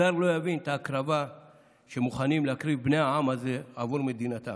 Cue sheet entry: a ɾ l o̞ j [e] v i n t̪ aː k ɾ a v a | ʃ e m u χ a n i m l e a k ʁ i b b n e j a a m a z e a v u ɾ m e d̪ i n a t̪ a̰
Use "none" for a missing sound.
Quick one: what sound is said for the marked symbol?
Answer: a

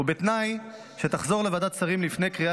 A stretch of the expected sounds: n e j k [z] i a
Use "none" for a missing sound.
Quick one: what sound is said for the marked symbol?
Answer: ʁ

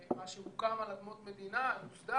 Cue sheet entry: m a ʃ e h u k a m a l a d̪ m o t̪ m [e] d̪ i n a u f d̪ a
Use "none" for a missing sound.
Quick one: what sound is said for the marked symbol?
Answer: e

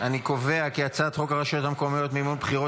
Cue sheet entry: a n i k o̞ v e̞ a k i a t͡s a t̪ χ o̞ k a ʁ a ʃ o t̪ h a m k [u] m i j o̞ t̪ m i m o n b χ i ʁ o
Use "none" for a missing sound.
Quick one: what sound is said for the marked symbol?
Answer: o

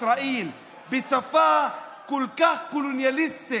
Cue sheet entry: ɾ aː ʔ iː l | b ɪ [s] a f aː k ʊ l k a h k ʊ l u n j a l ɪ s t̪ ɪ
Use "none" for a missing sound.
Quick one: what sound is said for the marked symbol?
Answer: s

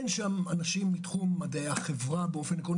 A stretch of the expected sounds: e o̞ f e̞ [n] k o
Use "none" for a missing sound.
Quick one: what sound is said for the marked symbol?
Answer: n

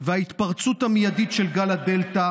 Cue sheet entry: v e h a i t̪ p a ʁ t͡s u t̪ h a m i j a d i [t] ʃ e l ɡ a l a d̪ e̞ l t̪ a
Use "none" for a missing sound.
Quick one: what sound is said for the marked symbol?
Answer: t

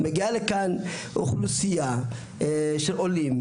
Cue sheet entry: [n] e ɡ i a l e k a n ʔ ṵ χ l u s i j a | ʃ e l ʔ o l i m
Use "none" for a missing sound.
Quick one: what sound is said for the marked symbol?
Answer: m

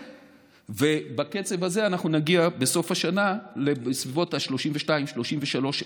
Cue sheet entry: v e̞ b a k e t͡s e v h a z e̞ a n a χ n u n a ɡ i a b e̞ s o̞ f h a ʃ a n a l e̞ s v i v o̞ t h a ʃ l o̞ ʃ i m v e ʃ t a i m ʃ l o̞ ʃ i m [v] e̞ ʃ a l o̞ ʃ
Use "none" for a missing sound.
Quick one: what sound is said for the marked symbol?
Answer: v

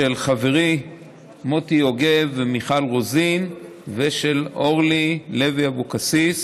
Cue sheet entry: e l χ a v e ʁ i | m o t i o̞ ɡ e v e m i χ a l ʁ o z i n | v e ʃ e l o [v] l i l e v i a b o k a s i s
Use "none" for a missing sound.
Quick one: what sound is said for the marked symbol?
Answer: ʁ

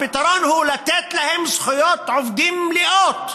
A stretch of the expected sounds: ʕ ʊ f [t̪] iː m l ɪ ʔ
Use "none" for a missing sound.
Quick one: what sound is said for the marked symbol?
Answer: d̪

